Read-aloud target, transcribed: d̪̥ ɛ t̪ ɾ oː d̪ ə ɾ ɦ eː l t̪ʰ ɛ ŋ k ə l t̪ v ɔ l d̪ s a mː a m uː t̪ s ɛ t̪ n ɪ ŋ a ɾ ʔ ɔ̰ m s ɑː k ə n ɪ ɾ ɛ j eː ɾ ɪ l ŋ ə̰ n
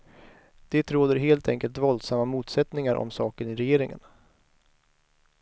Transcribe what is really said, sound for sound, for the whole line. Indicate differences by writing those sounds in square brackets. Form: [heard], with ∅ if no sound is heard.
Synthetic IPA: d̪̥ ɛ t̪ ɾ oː d̪ ə ɾ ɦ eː l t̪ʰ ɛ ŋ k ə l t̪ v ɔ l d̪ s a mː a m uː t̪ s ɛ t̪ n ɪ ŋ a ɾ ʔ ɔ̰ m s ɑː k ə n ɪ ɾ ɛ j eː ɾ ɪ [∅] ŋ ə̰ n